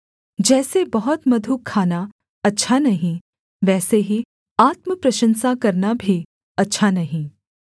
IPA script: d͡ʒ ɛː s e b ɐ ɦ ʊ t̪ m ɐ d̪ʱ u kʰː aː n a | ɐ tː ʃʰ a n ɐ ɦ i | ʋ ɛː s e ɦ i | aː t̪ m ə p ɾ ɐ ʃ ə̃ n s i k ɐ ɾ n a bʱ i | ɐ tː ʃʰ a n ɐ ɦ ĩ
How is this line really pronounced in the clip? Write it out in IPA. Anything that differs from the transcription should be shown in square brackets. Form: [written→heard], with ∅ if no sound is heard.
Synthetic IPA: d͡ʒ ɛː s e b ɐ ɦ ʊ t̪ m ɐ d̪ʱ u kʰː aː n a | ɐ tː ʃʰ a n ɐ ɦ [i→ĩ] | ʋ ɛː s e ɦ i | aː t̪ m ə p ɾ ɐ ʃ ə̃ n s [i→a] k ɐ ɾ n a bʱ i | ɐ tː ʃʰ a n ɐ ɦ ĩ